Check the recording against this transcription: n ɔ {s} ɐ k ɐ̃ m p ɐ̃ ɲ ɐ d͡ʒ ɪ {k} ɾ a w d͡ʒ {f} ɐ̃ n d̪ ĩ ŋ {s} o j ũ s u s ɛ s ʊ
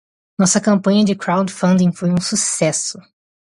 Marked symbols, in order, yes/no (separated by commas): yes, yes, yes, no